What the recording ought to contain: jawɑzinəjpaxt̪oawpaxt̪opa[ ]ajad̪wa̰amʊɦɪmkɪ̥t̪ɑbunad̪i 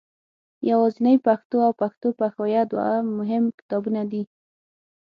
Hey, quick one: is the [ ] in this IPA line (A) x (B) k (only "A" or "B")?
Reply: A